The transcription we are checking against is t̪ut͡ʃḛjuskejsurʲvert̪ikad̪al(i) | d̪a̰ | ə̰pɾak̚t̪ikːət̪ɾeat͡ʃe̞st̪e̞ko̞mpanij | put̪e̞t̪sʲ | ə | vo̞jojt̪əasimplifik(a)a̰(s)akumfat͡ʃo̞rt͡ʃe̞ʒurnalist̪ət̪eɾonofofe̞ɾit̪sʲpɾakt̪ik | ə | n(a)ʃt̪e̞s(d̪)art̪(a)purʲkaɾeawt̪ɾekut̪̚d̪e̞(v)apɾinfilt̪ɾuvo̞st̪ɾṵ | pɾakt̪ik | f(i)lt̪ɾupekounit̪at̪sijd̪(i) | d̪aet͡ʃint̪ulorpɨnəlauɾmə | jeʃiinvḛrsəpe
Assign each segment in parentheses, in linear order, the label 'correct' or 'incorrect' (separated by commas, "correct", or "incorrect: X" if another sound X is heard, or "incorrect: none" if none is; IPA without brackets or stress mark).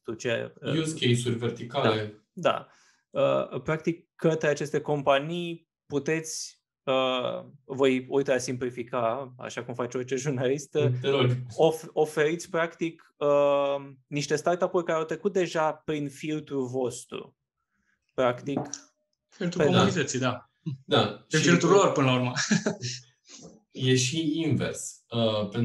incorrect: e, correct, incorrect: ʃ, incorrect: i, incorrect: t̪, correct, incorrect: ʒ, correct, incorrect: a